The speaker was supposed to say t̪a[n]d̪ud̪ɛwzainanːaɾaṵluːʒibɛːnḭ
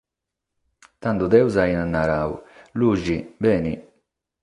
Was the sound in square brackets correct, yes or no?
yes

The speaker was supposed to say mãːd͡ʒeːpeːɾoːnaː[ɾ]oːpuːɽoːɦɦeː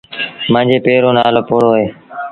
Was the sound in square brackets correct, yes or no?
no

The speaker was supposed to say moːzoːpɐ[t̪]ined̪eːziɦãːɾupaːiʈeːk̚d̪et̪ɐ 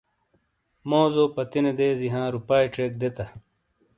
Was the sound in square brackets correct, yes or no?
yes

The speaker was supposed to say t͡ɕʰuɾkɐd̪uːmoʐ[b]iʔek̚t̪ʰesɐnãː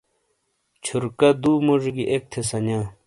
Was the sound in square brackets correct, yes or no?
no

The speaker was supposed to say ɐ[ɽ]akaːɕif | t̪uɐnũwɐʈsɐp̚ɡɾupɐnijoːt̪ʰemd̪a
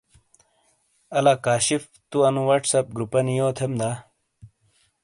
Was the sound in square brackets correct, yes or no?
no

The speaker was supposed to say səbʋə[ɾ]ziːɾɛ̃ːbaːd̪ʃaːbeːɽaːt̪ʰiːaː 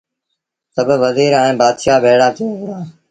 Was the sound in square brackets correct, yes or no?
no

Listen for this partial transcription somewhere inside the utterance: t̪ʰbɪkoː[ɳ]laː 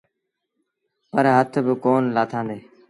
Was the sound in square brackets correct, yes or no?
no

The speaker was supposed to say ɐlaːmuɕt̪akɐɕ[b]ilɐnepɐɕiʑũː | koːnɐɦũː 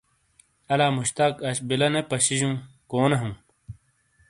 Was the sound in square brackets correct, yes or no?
yes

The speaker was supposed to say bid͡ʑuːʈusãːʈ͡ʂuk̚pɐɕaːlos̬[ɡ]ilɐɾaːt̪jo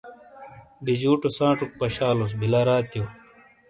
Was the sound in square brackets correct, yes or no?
no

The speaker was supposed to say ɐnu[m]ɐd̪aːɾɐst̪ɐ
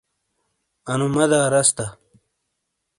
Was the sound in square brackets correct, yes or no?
yes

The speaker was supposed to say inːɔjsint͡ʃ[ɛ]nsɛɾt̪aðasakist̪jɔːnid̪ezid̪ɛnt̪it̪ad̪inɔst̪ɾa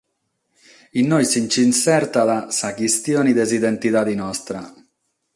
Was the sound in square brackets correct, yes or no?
no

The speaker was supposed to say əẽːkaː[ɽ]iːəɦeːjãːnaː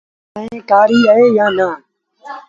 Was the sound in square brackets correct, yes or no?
no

